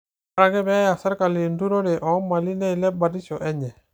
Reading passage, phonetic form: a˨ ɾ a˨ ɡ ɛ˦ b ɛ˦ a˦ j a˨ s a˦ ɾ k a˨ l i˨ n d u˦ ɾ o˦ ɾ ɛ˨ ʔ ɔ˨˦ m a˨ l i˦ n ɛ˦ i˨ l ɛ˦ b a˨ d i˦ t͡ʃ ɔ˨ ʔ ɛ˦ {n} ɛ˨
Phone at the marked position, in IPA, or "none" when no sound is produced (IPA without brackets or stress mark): ɲ